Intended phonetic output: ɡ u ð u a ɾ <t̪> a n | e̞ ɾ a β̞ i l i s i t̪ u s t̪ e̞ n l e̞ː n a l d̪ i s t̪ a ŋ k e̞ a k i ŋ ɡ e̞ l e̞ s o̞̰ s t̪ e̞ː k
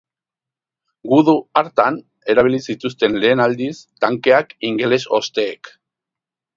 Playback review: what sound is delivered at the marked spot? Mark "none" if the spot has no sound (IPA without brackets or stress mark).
t̪